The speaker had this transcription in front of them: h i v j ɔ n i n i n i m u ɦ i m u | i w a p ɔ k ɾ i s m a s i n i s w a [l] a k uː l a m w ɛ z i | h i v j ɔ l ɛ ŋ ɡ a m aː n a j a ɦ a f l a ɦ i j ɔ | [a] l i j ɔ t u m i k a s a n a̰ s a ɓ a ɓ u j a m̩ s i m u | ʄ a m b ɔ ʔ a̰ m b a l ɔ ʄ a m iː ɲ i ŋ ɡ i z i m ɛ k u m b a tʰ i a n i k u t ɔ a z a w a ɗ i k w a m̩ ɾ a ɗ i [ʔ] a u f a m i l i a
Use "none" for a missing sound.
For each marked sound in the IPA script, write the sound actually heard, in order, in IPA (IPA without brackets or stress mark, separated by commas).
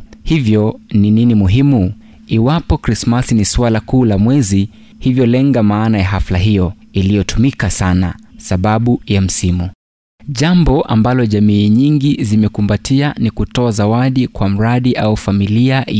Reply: l, i, ʔ